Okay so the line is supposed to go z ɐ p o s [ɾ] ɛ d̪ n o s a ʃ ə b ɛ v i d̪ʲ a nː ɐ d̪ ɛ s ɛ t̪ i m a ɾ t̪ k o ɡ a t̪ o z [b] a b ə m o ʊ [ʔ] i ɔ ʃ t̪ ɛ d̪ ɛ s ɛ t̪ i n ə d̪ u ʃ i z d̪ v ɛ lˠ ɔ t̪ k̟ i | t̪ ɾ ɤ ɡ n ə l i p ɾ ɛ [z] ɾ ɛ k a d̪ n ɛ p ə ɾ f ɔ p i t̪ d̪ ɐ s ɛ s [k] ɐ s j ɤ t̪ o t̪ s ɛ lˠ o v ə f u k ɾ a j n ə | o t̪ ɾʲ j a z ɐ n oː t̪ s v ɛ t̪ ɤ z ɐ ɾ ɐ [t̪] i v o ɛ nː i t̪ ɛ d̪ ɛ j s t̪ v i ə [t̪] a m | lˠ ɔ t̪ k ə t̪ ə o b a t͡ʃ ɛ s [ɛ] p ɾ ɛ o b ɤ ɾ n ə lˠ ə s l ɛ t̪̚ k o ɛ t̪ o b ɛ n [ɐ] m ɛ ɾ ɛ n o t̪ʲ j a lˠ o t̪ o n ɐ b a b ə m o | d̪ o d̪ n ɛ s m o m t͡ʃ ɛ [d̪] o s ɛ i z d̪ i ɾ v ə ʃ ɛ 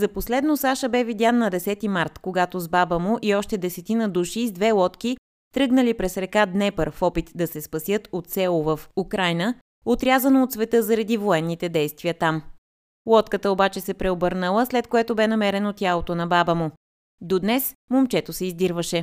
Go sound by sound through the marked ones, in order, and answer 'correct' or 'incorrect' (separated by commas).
incorrect, correct, correct, incorrect, incorrect, incorrect, correct, correct, correct, incorrect